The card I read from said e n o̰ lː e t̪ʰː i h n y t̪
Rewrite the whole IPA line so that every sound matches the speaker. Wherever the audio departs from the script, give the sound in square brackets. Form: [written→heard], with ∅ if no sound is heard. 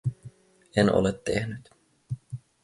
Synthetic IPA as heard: e n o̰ [lː→l] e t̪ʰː [i→e] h n y t̪

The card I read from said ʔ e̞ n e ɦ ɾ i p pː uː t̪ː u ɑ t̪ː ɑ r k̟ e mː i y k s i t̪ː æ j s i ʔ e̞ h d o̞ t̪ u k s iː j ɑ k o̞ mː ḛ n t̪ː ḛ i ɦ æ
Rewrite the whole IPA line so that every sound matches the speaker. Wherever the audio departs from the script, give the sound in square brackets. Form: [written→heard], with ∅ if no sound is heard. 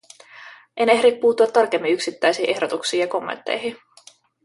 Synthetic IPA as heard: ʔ e̞ n e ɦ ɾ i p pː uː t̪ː u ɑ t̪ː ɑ r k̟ e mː i y k s i t̪ː æ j s [i→iː] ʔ e̞ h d o̞ t̪ u k s iː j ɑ k o̞ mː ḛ n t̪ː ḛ [i→j] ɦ [æ→i]

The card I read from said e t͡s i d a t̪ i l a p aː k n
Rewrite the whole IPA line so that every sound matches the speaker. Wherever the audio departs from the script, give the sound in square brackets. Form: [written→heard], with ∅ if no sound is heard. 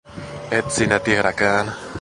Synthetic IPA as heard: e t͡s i [d→n] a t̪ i [l→ɾ] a [p→k] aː [k→∅] n

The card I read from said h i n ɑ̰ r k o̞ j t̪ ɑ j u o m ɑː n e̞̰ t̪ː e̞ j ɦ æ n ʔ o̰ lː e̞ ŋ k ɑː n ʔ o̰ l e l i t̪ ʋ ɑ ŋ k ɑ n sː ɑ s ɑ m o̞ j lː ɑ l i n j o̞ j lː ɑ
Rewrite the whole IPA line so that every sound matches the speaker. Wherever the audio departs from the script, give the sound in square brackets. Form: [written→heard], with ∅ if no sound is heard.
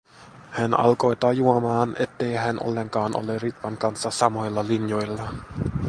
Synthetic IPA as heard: h [i→æ] n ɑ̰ [r→l] k o̞ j t̪ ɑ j u o m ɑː n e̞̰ t̪ː e̞ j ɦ æ n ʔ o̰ lː e̞ ŋ k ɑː n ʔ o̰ l e [l→r] i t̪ ʋ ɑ ŋ k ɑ n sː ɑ s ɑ m o̞ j lː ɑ l i n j o̞ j lː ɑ

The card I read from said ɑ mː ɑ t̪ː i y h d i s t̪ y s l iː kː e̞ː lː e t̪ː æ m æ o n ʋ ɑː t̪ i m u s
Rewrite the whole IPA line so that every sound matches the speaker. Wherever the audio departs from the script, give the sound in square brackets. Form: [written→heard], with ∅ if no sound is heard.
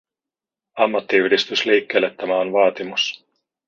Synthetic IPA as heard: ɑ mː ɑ t̪ː i y h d i s t̪ y s l iː kː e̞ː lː e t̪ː æ m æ o n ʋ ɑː t̪ i m u s

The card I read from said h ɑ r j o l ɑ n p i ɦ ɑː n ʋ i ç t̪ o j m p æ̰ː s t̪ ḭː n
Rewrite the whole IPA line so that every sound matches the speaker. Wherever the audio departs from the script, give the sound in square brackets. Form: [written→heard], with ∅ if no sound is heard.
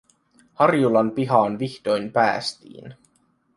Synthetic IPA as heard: h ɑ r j [o→u] l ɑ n p i ɦ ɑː n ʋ i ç t̪ o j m p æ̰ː s t̪ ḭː n

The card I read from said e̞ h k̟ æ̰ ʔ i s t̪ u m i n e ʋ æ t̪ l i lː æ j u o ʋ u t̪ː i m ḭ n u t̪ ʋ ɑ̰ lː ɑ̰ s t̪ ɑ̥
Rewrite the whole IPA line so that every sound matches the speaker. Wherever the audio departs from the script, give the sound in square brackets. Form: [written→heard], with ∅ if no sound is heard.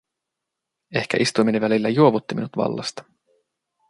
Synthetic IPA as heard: e̞ h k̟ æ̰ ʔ i s t̪ u m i n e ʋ æ [t̪→∅] l i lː æ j u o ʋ u t̪ː i m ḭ n u t̪ ʋ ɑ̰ lː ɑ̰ s t̪ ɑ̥

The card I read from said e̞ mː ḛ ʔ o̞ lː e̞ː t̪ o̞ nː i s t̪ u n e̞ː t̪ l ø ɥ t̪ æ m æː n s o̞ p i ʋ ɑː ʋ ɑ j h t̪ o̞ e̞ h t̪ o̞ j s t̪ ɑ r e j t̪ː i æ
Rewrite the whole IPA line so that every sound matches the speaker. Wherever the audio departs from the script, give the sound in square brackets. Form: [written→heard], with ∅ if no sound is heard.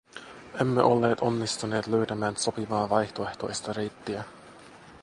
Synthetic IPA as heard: e̞ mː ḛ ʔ o̞ lː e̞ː t̪ o̞ nː i s t̪ u n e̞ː t̪ l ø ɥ t̪ æ m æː n s o̞ p i ʋ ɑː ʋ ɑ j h t̪ o̞ e̞ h t̪ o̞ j s t̪ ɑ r e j t̪ː i æ

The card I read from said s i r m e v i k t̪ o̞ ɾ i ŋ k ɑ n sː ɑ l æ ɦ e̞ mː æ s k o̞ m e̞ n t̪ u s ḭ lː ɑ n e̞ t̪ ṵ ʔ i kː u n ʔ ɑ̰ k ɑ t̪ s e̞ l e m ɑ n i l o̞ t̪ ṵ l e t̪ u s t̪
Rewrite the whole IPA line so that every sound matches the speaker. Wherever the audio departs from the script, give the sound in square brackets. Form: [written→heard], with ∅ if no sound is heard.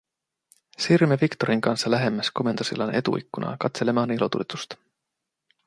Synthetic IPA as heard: s i r m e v i k t̪ o̞ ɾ i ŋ k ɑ n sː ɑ l æ ɦ e̞ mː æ s k o̞ m e̞ n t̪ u s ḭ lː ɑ n e̞ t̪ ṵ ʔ i kː u n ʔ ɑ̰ k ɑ t̪ s e̞ l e m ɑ n i l o̞ t̪ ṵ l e t̪ u s t̪

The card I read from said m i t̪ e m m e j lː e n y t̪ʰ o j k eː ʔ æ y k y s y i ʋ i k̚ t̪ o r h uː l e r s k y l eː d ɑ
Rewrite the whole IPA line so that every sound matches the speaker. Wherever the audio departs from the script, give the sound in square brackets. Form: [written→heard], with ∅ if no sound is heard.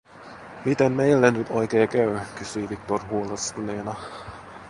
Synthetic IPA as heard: m i t̪ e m m e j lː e n y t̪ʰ o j k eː [ʔ→k] æ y k y s y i ʋ i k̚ t̪ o r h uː l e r s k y l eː [d→n] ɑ

